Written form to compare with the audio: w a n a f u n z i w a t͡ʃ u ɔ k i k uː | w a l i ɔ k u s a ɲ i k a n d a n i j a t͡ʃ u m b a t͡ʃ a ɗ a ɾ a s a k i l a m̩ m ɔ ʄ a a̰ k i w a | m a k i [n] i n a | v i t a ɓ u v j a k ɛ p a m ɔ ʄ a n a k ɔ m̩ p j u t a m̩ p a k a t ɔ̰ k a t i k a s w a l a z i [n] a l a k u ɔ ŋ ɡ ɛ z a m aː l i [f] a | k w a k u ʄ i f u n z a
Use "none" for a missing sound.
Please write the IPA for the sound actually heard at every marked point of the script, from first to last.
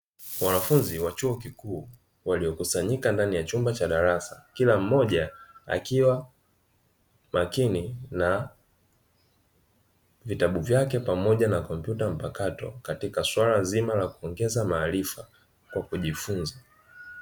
n, m, f

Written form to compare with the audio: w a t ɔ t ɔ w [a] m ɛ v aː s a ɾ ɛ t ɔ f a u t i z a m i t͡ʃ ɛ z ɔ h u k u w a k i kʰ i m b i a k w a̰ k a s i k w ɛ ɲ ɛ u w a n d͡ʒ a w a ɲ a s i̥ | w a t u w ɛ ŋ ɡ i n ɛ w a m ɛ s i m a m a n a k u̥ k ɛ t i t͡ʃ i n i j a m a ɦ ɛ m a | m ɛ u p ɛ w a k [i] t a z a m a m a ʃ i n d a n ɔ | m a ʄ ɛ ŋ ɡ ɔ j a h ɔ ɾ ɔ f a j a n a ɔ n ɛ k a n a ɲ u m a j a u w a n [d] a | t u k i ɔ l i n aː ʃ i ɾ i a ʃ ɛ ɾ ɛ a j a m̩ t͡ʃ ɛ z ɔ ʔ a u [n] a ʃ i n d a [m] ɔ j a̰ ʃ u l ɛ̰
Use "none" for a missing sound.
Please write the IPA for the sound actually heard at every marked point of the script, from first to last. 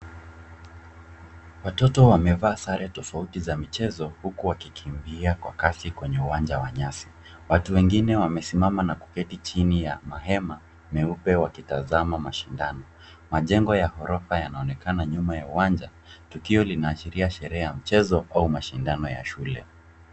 a, i, d͡ʒ, m, n

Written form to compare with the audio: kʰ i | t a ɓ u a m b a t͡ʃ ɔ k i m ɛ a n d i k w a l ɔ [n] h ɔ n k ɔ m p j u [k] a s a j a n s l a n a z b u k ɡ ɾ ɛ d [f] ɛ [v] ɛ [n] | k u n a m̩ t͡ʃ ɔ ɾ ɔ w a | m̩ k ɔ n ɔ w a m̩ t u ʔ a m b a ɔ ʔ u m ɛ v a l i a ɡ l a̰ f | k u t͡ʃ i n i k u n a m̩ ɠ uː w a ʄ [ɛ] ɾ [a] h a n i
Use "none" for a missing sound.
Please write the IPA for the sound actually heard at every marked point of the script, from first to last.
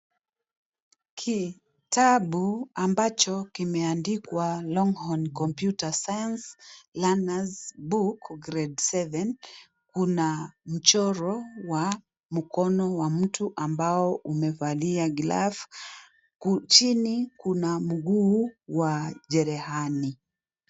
ŋ, t, s, v, n, ɛ, ɛ

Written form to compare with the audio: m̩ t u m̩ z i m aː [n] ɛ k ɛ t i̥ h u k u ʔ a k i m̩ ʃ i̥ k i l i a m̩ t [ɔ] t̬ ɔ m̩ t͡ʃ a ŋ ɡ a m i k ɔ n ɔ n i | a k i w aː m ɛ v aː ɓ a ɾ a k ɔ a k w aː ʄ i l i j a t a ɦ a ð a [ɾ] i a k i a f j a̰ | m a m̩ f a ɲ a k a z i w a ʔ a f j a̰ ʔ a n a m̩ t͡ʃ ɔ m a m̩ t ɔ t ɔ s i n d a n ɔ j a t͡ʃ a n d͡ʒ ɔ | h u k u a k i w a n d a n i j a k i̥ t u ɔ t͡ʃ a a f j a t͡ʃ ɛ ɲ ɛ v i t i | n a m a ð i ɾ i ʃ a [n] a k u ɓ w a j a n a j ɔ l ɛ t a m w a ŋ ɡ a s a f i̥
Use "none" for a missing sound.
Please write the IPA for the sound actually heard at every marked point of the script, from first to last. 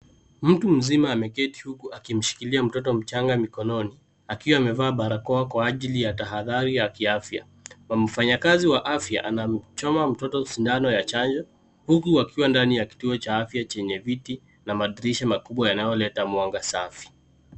m, ɔ, ɾ, m

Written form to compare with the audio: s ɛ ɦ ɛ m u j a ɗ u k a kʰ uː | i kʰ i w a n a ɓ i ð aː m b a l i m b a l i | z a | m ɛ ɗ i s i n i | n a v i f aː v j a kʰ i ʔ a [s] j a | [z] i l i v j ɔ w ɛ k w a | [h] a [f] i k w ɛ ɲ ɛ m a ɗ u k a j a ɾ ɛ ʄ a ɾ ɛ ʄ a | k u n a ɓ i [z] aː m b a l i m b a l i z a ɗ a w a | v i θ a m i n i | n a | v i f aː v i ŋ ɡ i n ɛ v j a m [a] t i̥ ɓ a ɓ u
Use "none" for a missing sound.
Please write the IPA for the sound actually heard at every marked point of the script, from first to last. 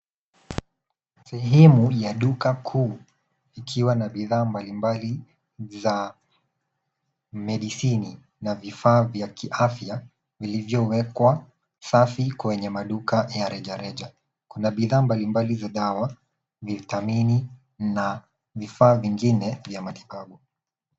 f, v, s, f, ð, a

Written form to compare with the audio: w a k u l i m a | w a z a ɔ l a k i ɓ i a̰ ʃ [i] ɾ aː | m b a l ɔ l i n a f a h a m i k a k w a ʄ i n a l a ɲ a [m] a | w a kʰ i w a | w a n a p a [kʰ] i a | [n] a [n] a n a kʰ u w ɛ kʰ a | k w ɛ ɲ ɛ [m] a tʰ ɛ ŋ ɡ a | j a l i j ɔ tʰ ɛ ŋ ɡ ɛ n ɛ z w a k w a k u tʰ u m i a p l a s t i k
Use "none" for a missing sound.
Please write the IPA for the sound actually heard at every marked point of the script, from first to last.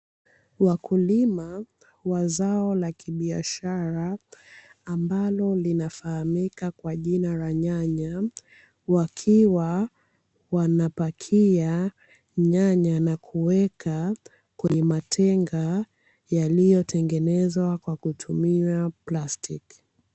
a, ɲ, kʰ, ɲ, ɲ, m

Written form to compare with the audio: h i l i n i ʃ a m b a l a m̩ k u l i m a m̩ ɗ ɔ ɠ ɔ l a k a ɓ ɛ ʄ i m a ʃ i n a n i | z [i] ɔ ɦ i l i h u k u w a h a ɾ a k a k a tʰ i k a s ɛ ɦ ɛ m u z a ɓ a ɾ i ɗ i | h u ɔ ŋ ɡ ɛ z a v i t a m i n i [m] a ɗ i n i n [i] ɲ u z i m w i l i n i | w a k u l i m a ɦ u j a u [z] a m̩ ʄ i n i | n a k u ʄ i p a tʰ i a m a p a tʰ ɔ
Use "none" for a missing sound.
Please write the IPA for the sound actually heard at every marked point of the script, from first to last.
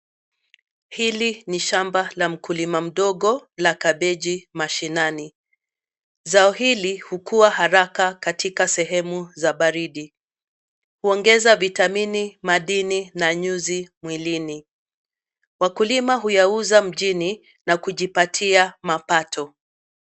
a, m, a, z

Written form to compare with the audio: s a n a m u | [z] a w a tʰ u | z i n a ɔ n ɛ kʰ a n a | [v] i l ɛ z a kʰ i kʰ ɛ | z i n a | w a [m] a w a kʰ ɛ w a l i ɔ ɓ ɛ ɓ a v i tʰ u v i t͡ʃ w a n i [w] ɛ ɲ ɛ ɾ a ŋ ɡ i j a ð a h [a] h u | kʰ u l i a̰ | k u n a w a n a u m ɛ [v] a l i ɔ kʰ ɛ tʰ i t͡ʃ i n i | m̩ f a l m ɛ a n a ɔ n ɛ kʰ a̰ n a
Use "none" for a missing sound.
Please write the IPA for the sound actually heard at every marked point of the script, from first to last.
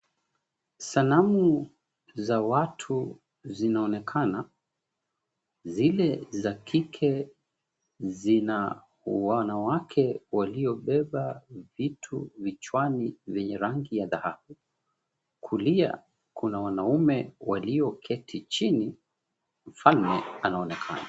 z, z, n, v, a, w

